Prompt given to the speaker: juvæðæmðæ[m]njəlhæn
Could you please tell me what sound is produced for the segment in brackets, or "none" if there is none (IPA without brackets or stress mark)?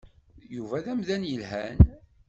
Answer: none